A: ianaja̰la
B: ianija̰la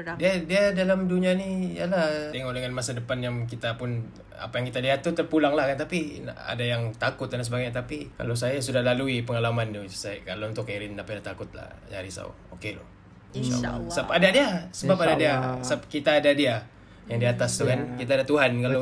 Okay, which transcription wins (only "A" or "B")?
B